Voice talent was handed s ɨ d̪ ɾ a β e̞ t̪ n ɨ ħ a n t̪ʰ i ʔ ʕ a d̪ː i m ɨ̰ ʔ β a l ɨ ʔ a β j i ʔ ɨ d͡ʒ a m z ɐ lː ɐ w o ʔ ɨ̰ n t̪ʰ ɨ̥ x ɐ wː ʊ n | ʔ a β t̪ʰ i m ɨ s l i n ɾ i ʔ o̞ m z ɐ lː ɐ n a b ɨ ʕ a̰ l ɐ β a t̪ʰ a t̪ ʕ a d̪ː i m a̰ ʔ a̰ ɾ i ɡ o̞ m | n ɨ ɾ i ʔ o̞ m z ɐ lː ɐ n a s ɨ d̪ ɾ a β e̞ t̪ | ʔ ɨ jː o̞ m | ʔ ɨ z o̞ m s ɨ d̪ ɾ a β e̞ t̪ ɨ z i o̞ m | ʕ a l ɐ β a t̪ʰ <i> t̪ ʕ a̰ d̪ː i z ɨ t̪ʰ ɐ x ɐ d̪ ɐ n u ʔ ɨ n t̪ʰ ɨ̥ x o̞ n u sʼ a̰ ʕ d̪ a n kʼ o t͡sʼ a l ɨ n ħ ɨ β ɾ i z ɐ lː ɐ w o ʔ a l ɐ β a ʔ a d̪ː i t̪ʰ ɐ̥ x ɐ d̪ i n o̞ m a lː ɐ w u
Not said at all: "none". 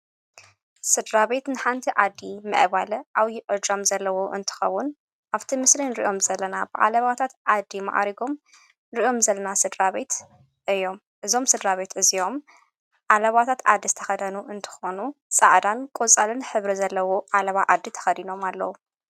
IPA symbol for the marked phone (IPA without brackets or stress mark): a